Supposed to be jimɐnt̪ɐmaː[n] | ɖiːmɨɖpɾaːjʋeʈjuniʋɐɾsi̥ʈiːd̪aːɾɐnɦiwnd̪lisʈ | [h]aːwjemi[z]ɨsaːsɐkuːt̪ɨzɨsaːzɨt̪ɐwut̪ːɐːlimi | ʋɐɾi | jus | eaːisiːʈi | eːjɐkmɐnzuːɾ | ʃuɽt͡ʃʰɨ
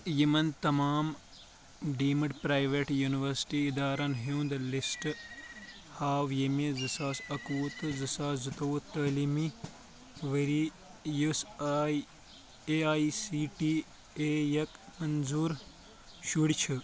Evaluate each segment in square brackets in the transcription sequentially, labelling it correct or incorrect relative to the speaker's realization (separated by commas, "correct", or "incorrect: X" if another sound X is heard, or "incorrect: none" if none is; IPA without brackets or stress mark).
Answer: incorrect: m, correct, correct